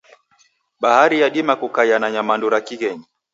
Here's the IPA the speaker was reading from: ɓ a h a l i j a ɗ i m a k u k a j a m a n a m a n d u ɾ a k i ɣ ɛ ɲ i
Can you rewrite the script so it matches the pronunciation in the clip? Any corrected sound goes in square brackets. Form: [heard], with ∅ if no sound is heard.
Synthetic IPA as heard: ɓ a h a [ɾ] i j a ɗ i m a k u k a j a [n] a [ɲ] a m a n d u ɾ a k i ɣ ɛ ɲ i